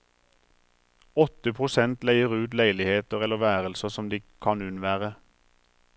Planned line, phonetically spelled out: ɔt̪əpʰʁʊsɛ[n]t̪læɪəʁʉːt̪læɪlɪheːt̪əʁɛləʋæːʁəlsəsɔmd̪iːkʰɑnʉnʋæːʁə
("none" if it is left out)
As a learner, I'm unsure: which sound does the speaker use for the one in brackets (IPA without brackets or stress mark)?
n